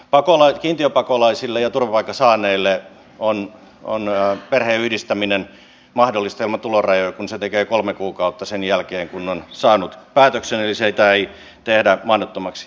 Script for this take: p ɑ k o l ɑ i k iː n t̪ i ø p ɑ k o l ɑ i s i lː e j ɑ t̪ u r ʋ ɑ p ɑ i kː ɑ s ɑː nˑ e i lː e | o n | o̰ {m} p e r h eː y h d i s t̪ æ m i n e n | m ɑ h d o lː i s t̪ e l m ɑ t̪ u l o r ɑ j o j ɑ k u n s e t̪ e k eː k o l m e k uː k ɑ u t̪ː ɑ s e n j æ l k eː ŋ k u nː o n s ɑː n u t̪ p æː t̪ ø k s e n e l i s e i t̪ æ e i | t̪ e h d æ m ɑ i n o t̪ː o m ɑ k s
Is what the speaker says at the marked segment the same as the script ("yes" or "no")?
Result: no